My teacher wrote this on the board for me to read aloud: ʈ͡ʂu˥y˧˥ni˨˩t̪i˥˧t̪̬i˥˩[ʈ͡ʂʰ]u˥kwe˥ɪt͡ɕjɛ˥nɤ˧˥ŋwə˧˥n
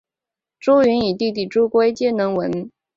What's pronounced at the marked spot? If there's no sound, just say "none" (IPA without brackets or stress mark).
ʈ͡ʂ